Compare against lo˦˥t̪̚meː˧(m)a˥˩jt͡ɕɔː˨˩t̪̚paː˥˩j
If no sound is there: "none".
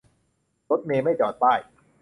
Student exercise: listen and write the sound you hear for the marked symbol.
m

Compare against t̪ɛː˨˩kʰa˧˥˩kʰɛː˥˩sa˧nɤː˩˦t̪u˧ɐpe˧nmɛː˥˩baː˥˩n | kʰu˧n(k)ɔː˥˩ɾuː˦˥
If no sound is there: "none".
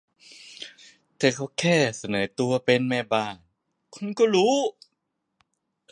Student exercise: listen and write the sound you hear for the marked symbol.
k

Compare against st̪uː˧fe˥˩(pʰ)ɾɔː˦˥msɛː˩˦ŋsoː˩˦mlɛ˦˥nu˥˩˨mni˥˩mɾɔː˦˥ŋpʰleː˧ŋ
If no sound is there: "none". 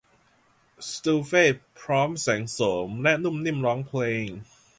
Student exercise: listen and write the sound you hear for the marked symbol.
pʰ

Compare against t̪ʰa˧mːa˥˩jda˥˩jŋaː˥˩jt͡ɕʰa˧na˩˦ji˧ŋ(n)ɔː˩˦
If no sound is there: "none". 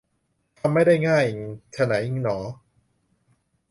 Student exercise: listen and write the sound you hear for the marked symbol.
n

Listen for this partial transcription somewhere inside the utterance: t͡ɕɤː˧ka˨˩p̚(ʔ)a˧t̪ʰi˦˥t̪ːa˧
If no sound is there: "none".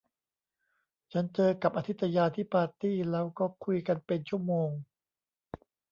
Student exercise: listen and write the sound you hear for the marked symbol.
ʔ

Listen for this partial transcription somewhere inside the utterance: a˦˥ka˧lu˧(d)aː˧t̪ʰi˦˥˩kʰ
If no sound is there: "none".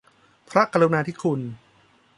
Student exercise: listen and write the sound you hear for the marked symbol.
n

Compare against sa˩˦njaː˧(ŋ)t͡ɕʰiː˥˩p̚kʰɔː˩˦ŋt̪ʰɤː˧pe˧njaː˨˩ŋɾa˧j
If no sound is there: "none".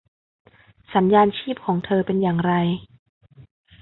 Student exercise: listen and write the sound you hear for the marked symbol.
n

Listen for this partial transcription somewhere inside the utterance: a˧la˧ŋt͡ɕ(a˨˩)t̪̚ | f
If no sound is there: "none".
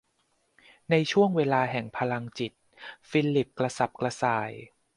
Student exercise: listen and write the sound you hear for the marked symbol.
i˨˩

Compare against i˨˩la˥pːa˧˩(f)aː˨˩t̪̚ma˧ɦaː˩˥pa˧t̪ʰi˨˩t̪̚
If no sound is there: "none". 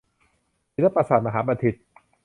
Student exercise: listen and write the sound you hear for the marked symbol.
s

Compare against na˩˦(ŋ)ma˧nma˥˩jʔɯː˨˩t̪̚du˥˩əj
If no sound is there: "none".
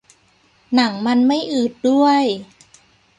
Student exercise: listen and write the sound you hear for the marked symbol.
ŋ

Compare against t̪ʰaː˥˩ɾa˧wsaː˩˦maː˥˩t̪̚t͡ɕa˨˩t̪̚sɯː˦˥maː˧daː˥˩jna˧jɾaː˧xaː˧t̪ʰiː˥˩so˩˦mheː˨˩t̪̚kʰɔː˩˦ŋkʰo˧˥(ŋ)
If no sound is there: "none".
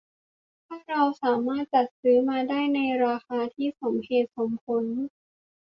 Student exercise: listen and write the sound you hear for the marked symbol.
n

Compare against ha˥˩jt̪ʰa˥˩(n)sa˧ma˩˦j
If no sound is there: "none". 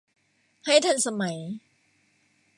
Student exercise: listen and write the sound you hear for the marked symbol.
n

